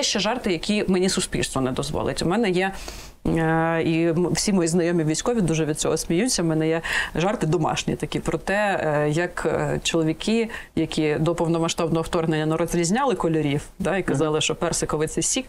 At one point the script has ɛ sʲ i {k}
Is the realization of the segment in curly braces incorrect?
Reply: no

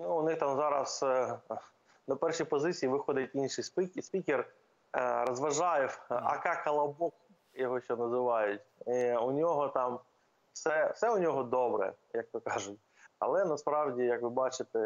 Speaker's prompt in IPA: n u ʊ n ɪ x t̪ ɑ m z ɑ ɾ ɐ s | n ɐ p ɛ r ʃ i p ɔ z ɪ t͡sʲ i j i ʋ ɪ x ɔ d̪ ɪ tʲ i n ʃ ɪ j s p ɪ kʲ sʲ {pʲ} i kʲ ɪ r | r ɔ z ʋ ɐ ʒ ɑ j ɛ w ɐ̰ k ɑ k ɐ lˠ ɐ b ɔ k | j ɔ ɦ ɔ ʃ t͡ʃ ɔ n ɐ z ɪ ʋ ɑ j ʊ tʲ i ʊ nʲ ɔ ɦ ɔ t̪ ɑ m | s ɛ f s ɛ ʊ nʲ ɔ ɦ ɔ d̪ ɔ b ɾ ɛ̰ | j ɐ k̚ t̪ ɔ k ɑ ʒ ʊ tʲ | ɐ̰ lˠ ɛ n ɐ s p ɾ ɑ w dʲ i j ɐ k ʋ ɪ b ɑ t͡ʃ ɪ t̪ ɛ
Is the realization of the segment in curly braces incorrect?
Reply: no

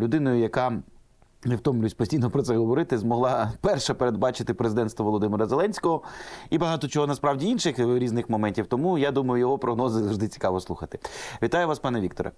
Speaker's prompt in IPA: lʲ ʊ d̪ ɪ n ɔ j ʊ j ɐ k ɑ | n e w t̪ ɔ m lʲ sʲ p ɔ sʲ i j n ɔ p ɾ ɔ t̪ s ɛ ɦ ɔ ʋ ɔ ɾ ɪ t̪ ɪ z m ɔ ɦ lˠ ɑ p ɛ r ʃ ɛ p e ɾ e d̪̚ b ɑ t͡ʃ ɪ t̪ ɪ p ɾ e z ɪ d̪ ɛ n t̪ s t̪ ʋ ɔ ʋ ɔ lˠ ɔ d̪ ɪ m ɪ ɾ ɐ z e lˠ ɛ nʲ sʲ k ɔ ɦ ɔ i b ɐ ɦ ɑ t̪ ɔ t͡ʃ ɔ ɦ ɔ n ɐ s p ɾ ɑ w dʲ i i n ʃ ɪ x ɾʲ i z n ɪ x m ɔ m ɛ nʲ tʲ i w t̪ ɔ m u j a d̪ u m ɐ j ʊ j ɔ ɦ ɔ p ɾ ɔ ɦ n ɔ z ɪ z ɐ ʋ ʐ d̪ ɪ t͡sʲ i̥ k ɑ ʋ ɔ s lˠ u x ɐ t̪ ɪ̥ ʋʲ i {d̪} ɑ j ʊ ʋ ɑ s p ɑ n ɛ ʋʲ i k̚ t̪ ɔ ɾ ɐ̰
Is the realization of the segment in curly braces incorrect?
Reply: yes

